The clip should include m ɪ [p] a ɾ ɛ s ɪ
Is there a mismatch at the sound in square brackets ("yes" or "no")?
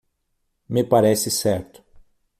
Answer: no